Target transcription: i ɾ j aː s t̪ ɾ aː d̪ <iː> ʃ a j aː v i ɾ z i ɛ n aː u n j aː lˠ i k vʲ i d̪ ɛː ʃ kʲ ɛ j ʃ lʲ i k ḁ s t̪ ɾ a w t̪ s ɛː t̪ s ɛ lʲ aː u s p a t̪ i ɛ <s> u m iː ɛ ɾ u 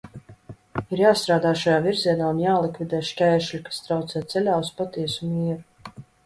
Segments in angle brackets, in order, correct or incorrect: incorrect, correct

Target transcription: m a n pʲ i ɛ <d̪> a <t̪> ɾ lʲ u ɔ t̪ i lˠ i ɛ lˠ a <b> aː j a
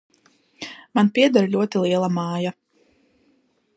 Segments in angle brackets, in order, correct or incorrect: correct, incorrect, incorrect

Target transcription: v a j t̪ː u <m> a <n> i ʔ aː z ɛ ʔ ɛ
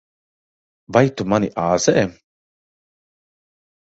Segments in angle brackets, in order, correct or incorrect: correct, correct

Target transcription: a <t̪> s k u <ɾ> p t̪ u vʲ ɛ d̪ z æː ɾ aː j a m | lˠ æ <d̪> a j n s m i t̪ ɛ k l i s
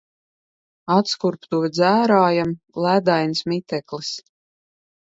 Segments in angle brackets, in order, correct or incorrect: correct, correct, correct

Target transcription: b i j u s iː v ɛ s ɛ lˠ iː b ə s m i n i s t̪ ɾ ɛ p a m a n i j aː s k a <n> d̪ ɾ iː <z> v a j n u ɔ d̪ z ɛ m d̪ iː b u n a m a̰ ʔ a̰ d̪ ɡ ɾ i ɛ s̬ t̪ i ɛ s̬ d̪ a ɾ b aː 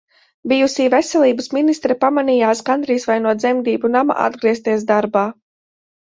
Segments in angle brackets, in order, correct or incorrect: correct, incorrect

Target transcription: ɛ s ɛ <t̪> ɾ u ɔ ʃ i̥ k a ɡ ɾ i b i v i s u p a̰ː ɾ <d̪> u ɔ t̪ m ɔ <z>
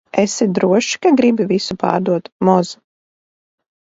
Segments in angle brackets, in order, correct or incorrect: incorrect, correct, correct

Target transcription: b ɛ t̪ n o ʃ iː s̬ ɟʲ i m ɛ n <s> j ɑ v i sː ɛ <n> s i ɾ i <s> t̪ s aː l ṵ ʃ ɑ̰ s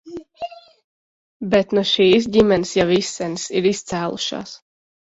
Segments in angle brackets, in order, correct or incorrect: correct, correct, correct

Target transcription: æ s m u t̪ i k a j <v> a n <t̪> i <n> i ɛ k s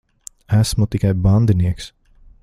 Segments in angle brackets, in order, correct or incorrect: incorrect, incorrect, correct

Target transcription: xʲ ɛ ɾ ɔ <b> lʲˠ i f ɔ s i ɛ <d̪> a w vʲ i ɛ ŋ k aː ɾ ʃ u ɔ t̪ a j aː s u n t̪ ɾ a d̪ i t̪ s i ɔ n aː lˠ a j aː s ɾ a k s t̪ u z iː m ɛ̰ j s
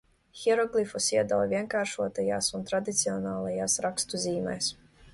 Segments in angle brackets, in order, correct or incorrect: incorrect, correct

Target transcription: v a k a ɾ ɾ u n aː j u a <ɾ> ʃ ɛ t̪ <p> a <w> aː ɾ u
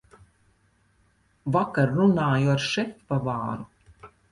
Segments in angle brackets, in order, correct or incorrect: correct, correct, incorrect

